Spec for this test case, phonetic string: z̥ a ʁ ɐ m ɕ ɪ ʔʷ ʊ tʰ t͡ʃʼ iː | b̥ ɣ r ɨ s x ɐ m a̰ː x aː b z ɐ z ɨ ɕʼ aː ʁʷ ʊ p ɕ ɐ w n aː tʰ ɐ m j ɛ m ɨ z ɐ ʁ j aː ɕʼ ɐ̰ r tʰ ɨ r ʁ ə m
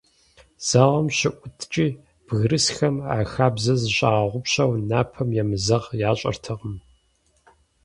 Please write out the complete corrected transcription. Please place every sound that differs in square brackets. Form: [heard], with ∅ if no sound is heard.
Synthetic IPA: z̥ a ʁ ɐ m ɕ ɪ ʔʷ ʊ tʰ t͡ʃʼ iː | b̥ ɣ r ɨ s x ɐ m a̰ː x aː b z ɐ z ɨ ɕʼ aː ʁʷ ʊ p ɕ ɐ w n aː [pʰ] ɐ m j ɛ m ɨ z ɐ ʁ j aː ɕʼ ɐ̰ r tʰ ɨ [∅] ʁ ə m